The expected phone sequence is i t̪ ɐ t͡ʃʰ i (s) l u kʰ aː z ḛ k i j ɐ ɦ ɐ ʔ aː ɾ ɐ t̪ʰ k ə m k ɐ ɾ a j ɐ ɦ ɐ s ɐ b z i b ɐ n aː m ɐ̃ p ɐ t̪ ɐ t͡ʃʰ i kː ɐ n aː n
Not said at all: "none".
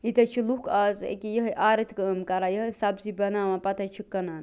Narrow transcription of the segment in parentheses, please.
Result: none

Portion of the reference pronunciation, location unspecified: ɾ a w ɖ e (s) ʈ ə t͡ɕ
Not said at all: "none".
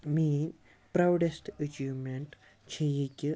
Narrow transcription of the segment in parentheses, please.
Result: s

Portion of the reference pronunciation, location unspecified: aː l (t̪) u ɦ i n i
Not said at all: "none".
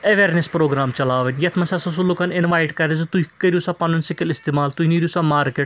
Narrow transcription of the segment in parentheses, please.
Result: t̪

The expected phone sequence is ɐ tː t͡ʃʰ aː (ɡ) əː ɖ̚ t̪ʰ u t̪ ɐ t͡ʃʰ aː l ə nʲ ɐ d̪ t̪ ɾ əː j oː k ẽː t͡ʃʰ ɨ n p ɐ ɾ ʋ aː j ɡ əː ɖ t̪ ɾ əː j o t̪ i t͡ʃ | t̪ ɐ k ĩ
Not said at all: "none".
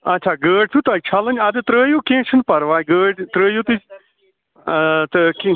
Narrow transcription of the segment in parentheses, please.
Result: ɡ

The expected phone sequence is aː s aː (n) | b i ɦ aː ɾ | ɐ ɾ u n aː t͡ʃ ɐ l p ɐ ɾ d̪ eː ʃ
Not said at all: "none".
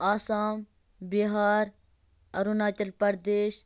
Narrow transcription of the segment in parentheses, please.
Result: m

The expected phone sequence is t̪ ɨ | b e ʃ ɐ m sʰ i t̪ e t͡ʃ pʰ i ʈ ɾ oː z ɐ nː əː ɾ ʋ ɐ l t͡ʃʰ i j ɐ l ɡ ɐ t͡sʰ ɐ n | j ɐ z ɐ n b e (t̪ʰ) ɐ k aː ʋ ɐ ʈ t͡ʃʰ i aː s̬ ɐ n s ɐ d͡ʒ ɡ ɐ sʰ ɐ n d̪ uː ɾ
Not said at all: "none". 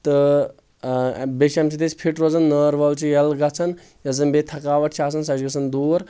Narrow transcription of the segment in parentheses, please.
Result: t̪ʰ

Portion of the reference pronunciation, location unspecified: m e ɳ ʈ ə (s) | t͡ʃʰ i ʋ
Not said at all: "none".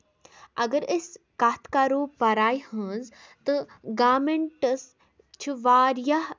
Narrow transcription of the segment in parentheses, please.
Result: s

